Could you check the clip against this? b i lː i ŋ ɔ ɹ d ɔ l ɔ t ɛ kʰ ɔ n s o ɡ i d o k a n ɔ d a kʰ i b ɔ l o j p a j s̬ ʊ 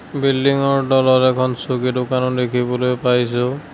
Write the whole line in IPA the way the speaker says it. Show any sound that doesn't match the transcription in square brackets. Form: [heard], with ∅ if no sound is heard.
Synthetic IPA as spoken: b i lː i ŋ ɔ ɹ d ɔ l ɔ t ɛ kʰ ɔ n s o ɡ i d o k a n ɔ d [e] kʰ i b ɔ l o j p a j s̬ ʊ